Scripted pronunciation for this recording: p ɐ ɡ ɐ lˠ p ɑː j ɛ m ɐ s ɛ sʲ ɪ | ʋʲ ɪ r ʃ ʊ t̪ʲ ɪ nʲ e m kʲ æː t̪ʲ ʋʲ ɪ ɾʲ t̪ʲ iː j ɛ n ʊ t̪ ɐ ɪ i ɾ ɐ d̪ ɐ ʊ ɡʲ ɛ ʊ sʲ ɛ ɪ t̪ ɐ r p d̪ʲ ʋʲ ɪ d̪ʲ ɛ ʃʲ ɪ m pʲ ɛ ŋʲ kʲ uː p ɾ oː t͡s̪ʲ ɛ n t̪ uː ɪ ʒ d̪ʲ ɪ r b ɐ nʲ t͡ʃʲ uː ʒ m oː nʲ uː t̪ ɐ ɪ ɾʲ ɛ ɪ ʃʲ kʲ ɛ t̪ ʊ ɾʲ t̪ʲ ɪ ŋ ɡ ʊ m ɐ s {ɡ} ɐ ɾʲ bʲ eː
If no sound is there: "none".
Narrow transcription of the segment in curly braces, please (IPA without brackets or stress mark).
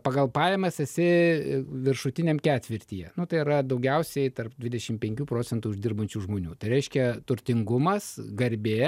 ɡ